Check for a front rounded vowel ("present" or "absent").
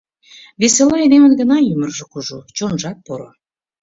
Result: present